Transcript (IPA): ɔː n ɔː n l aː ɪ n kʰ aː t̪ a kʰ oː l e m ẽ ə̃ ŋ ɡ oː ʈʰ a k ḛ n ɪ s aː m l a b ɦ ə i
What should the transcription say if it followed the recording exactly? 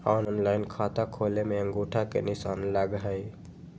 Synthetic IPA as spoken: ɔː n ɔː n l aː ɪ n kʰ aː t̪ a kʰ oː l e m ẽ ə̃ ŋ ɡ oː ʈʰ a k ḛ n ɪ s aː n l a ɡ ɦ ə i